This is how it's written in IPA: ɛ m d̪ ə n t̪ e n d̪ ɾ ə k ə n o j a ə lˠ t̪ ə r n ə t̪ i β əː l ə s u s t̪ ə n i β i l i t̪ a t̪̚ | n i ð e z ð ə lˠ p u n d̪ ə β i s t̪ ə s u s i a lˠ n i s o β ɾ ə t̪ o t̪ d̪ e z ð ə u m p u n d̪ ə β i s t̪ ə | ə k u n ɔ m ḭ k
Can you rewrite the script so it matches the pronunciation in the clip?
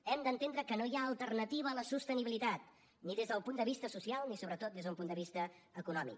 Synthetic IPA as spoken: ɛ m d̪ ə n t̪ e n d̪ ɾ ə k ə n o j a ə lˠ t̪ ə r n ə t̪ i β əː l ə s u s t̪ ə n i β i l i t̪ a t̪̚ | n i ð e z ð ə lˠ p u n d̪ ə β i s t̪ ə s u s i a lˠ n i s o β ɾ ə t̪ o t̪ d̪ e z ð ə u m p u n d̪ ə β i s t̪ ə | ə k u n ɔ m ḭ k